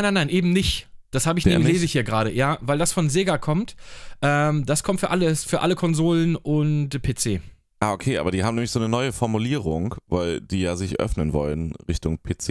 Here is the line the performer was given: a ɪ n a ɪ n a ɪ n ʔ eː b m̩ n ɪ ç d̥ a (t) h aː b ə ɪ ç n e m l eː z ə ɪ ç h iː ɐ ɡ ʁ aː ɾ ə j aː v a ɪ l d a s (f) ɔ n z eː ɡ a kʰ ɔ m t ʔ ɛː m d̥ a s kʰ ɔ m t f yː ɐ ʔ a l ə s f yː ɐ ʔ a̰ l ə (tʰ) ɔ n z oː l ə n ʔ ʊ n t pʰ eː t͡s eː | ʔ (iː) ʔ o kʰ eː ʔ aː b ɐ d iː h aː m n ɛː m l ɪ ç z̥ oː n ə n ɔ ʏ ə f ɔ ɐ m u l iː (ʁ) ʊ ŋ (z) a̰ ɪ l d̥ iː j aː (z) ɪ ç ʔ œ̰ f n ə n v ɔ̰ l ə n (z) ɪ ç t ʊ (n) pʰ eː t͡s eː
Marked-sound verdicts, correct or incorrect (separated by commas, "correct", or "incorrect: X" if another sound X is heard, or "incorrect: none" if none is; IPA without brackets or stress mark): incorrect: s, correct, incorrect: kʰ, incorrect: aː, correct, incorrect: v, correct, incorrect: ʁ, incorrect: ŋ